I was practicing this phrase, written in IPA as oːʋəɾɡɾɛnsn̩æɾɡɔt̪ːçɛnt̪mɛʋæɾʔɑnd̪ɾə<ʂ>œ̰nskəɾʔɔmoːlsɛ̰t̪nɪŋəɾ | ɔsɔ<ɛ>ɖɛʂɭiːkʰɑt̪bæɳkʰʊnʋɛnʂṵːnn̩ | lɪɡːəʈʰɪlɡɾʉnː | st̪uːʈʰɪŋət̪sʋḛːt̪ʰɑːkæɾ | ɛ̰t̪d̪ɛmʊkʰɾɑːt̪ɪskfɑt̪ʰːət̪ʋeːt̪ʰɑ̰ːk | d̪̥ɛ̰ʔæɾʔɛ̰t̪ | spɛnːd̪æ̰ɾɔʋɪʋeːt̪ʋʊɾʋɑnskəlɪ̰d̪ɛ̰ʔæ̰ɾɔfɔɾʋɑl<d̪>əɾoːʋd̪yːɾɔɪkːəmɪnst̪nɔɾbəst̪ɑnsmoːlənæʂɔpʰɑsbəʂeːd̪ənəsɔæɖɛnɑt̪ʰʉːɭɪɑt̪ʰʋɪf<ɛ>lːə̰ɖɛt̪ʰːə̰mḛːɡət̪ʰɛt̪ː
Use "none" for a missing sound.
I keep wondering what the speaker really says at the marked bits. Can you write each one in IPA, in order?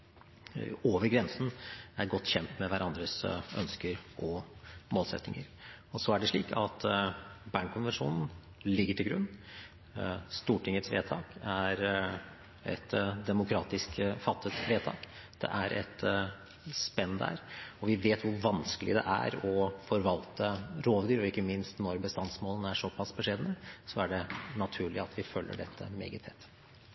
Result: s, æ, t̪, œ

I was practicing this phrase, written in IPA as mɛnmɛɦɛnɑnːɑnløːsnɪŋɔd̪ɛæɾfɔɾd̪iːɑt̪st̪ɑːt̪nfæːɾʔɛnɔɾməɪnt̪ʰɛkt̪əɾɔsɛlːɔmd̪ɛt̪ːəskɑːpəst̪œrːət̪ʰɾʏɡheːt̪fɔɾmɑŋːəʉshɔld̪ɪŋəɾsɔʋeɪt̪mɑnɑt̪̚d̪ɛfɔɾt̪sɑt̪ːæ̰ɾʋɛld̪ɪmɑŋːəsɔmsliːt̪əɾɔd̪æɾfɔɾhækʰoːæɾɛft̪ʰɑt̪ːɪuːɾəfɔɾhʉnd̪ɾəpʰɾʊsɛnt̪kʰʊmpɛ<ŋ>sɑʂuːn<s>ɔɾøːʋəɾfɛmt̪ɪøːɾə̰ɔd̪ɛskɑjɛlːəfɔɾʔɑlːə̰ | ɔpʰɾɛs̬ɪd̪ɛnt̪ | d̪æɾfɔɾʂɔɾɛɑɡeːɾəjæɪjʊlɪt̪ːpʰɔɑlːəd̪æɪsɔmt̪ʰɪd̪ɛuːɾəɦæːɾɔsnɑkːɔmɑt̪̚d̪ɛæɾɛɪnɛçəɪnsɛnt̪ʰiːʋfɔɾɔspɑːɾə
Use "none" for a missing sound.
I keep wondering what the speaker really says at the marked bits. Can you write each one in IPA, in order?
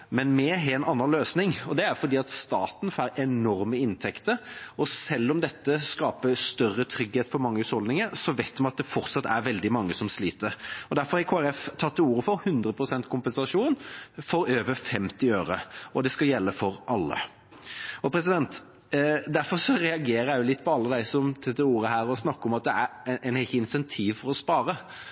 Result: n, f

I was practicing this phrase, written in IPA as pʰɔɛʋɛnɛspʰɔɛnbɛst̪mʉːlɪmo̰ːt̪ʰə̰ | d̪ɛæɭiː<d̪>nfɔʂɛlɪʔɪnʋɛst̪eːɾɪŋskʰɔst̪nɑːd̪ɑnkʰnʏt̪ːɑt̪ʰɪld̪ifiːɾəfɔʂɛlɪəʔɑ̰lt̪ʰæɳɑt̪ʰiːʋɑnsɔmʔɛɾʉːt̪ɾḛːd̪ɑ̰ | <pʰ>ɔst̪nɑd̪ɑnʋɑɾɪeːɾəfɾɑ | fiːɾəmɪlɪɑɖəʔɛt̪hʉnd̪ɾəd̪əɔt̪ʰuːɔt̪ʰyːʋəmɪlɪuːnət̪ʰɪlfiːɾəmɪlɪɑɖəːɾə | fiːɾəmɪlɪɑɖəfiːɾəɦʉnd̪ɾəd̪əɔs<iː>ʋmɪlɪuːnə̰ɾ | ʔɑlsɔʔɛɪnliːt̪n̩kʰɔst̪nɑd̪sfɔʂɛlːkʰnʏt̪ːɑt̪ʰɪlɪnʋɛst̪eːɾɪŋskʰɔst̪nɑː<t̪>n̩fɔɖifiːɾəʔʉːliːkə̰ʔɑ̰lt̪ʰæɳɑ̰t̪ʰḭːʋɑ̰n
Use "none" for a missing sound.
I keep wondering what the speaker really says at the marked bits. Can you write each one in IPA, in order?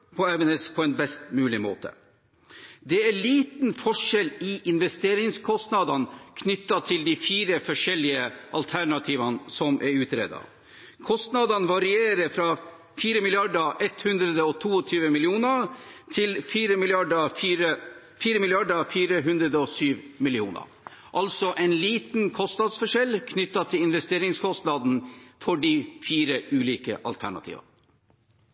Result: t̪, kʰ, yː, d̪

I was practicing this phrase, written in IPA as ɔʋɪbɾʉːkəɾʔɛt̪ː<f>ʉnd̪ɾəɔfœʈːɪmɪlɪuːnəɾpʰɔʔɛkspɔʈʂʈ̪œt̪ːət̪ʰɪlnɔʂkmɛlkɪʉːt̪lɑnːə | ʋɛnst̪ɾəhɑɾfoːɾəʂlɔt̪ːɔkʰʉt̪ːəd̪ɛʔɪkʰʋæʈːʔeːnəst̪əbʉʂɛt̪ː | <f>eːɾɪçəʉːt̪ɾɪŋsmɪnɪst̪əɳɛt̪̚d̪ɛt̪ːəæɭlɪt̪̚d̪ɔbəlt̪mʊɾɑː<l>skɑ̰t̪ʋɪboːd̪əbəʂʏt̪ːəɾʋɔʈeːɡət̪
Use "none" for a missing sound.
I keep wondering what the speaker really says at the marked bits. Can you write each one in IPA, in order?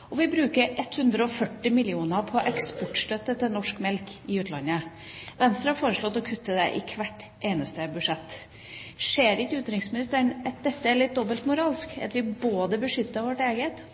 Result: h, ʂ, l

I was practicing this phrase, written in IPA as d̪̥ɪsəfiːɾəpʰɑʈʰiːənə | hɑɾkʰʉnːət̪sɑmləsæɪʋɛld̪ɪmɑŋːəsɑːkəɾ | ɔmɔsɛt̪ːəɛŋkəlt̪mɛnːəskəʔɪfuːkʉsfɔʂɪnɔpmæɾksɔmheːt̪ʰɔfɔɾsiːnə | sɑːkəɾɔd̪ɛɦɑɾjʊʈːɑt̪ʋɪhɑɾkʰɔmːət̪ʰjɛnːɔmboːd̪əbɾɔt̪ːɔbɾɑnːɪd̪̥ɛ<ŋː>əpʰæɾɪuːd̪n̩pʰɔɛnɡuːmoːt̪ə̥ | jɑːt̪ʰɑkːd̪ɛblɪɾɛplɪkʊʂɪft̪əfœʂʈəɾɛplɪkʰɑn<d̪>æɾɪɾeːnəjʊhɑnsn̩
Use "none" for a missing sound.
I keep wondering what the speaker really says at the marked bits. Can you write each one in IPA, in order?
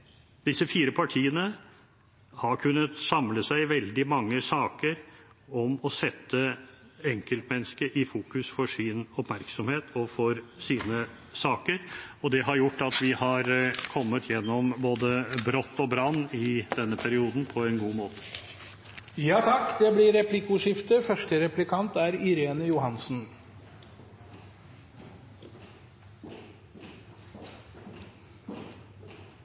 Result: nː, t̪

